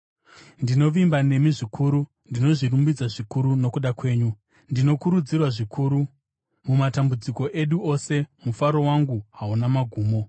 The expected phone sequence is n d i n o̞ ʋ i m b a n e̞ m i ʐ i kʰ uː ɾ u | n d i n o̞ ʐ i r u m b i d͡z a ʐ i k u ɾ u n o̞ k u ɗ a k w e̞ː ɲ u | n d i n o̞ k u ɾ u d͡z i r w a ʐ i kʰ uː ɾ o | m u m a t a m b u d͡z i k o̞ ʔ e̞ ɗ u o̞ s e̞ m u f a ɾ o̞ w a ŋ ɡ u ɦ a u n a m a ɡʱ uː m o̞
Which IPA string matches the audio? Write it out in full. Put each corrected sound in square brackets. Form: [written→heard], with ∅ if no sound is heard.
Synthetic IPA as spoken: n d i n o̞ ʋ i m b a n e̞ m i ʐ i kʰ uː ɾ u | n d i n o̞ ʐ i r u m b i d͡z a ʐ i k u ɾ u n o̞ k u ɗ a k w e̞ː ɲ u | n d i n o̞ k u ɾ u d͡z i r w a ʐ i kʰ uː ɾ [o→u] | m u m a t a m b u d͡z i k o̞ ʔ e̞ ɗ u o̞ s e̞ m u f a ɾ o̞ w a ŋ ɡ u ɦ a u n a m a ɡʱ uː m o̞